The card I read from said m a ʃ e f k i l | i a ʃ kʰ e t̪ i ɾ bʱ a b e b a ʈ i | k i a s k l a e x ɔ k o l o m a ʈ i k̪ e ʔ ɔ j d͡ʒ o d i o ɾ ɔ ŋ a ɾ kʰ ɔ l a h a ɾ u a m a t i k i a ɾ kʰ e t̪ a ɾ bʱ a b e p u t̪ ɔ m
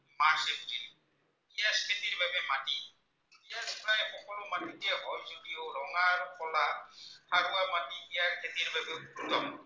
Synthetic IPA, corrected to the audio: m a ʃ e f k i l | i a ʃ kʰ e t̪ i ɾ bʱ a b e m a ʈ i | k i a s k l a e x ɔ k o l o m a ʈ i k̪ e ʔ ɔ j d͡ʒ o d i o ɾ ɔ ŋ a ɾ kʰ ɔ l a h a ɾ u a m a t i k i a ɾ kʰ e t̪ i ɾ bʱ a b e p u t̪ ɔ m

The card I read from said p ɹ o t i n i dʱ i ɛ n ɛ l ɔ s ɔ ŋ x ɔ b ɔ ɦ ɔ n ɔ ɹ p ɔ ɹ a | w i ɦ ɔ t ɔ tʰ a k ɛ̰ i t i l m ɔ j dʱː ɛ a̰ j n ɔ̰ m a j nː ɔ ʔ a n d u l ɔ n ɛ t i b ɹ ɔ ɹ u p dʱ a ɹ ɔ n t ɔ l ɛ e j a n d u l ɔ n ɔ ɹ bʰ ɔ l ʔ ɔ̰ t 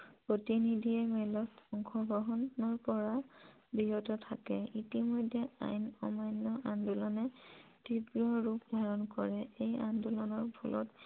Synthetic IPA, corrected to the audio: p ɹ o t i n i dʱ i ɛ m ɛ l ɔ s ɔ ŋ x ɔ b ɔ ɦ ɔ n ɔ ɹ p ɔ ɹ a | b i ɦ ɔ t ɔ tʰ a k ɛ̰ i t i m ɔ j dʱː ɛ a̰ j n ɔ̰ m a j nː ɔ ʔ a n d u l ɔ n ɛ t i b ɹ ɔ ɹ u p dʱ a ɹ ɔ n k ɔ ɹ ɛ e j a n d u l ɔ n ɔ ɹ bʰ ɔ l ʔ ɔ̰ t

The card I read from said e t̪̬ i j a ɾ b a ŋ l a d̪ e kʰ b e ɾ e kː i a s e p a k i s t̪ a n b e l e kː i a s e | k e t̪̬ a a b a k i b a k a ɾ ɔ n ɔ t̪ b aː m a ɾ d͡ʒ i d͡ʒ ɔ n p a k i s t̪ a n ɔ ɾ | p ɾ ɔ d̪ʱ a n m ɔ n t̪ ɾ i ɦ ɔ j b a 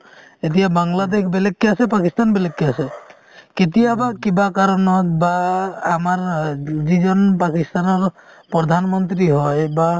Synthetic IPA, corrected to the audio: e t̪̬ i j a b a ŋ l a d̪ e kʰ b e l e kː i a s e p a k i s t̪ a n b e l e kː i a s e | k e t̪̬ i a b a k i b a k a ɾ ɔ n ɔ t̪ b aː m a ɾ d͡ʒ i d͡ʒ ɔ n p a k i s t̪ a n ɔ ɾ | p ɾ ɔ d̪ʱ a n m ɔ n t̪ ɾ i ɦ ɔ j b a

